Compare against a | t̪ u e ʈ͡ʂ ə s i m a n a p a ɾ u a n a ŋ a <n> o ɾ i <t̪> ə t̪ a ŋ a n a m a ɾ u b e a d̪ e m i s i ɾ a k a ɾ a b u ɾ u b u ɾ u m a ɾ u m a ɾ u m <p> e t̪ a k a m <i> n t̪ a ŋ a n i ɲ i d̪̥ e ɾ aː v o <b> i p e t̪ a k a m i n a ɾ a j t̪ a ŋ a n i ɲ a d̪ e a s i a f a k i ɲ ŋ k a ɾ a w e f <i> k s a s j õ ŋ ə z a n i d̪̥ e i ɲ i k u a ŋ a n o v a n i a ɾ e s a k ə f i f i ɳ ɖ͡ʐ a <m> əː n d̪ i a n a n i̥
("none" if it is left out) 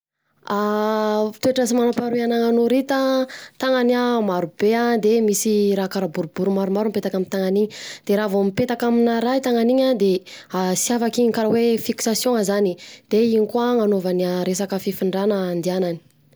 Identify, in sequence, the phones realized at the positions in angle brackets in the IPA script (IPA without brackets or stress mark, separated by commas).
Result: n, t̪, p, i, m, i, n